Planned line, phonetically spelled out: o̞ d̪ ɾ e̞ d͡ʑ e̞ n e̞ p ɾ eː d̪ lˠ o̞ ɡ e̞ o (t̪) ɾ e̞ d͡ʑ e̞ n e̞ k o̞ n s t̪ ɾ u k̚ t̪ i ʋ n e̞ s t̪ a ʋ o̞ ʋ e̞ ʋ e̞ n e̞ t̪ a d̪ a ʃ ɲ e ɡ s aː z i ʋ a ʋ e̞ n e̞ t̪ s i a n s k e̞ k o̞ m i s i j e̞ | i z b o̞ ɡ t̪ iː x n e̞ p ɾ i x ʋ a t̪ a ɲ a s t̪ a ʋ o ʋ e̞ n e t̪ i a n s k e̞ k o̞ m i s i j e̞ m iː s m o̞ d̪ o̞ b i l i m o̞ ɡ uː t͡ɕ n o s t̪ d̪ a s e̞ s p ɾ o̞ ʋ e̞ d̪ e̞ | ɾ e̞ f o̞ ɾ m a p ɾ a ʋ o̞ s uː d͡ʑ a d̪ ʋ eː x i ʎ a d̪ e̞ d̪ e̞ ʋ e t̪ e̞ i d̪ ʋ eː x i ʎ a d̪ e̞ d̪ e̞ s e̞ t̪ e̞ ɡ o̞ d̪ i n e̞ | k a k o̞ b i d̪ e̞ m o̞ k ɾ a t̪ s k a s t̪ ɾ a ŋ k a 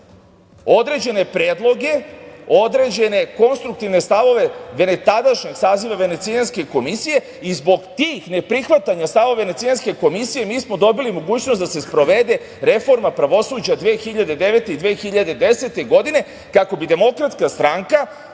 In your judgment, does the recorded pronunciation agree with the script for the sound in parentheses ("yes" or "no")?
no